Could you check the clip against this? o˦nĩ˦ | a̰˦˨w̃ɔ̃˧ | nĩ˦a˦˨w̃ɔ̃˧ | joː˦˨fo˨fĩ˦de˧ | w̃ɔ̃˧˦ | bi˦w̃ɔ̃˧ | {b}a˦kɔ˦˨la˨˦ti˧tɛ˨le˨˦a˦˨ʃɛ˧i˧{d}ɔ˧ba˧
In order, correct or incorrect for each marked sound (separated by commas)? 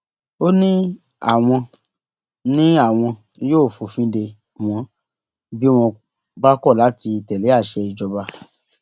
incorrect, incorrect